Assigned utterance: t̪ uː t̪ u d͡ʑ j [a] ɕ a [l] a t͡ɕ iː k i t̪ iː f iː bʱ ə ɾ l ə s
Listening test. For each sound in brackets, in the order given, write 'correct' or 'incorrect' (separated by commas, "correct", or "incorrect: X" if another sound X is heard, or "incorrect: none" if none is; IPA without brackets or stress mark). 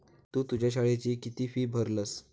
correct, incorrect: ɭ